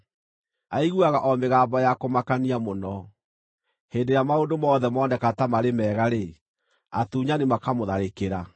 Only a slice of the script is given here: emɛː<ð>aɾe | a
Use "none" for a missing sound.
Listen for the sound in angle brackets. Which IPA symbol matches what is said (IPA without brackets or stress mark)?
ɣ